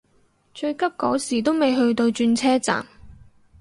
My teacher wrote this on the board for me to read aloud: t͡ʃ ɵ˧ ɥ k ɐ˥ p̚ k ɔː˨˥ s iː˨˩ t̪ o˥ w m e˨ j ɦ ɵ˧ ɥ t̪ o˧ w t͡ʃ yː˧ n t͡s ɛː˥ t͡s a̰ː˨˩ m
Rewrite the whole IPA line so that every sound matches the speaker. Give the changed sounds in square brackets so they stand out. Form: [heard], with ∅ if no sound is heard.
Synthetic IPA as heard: t͡ʃ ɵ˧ ɥ k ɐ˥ p̚ k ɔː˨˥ s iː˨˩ t̪ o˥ w m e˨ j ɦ ɵ˧ ɥ t̪ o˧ w t͡ʃ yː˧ n [t͡sʰ] ɛː˥ t͡s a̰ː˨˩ m